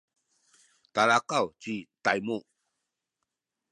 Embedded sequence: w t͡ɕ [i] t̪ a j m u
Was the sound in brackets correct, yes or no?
yes